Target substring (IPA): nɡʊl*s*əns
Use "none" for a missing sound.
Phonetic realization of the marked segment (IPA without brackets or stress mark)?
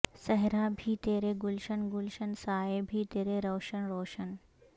ʃ